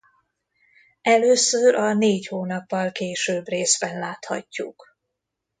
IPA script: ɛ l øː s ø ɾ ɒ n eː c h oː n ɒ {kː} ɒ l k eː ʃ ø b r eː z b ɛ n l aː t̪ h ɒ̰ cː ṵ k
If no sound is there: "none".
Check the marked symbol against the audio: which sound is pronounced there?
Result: pː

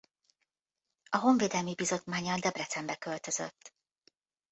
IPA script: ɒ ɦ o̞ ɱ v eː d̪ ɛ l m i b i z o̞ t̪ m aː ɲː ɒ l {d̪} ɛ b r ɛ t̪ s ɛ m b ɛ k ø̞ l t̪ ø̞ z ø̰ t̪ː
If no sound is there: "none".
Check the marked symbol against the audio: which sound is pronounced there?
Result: d̪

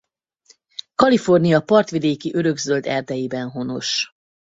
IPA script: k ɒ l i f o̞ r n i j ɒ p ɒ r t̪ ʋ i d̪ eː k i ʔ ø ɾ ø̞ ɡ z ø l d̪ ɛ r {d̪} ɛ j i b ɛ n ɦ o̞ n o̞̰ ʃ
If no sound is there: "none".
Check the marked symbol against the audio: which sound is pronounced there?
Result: d̪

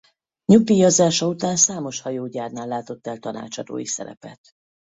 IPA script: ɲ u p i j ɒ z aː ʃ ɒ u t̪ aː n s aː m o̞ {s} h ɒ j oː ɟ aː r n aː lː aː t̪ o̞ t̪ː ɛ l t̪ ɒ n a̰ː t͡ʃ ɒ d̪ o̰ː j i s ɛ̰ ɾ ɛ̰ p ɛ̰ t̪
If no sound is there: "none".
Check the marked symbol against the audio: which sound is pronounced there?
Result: ʃ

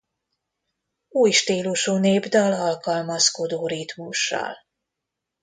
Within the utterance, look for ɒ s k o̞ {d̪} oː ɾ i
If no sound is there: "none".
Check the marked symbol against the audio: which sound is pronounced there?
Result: d̪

